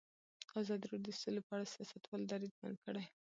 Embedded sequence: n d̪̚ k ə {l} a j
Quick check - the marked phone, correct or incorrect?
incorrect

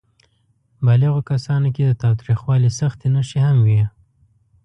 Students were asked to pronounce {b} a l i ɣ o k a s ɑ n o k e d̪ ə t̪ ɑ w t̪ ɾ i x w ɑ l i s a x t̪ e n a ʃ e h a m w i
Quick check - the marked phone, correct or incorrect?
correct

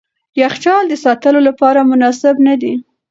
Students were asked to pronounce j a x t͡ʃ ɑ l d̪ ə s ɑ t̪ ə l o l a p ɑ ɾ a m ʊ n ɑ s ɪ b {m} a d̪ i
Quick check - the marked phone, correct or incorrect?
incorrect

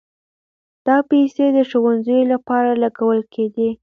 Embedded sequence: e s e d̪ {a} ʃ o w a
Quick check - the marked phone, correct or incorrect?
incorrect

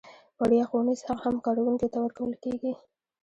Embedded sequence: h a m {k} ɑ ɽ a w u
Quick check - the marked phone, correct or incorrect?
correct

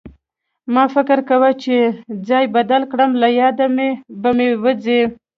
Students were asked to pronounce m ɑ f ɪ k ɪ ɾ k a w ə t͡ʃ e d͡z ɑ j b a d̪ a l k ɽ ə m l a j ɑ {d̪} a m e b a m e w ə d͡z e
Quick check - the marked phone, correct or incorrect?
correct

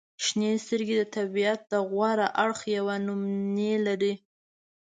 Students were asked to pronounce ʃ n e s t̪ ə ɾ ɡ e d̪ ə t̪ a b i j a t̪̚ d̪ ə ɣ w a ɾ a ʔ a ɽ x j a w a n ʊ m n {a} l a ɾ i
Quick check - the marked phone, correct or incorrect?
incorrect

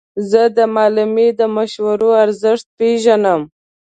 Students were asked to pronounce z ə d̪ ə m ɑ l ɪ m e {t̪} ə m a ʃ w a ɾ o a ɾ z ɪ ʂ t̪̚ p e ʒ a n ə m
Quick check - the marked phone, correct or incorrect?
incorrect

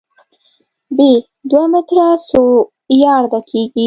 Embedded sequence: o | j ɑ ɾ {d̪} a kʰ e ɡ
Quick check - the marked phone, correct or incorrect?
correct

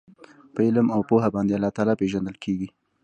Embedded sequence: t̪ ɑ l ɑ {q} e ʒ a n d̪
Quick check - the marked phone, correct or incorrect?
incorrect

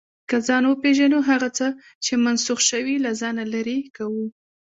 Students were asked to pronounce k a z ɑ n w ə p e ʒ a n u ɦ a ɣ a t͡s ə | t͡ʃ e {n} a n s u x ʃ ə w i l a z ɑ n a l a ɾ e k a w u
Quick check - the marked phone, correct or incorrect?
incorrect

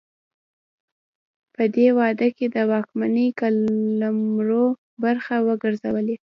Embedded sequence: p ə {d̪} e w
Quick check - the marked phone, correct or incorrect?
correct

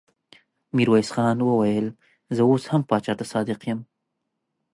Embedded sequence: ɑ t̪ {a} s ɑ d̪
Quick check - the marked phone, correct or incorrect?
correct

